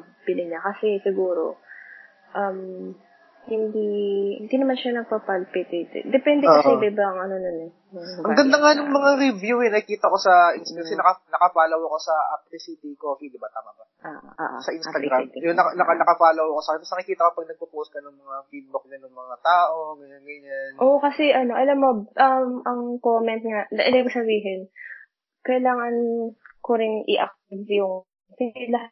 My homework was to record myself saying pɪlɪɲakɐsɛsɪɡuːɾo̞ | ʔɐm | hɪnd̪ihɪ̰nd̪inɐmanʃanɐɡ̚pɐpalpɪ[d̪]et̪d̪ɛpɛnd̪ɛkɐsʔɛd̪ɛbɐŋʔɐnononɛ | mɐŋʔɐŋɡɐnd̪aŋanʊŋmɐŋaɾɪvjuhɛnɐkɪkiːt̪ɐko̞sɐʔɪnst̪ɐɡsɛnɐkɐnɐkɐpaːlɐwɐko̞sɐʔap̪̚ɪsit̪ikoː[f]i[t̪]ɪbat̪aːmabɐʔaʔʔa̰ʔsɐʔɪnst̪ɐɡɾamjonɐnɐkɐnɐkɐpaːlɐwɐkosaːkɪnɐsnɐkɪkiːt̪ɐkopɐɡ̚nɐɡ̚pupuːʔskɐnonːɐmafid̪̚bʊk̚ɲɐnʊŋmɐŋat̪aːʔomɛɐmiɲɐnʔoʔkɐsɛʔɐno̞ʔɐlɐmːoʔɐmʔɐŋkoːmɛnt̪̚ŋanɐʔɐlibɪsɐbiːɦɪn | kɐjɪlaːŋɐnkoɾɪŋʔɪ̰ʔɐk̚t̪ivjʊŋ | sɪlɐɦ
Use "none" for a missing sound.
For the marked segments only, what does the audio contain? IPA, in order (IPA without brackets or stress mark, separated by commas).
t̪, f, d̪